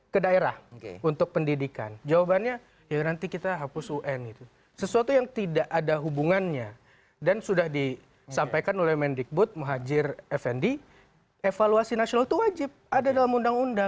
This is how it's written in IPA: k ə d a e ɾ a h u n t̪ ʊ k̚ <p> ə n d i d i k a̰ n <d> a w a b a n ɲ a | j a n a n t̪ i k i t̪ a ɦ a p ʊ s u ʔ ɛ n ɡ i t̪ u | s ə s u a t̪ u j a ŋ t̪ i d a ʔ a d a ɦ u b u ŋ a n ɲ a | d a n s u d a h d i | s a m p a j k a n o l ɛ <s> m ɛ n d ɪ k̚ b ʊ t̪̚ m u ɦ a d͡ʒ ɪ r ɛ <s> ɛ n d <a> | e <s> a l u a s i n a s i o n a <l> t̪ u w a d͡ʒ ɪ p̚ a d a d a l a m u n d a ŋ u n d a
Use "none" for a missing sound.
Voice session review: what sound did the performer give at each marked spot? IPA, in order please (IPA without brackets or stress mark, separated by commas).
p, d͡ʒ, h, f, i, f, l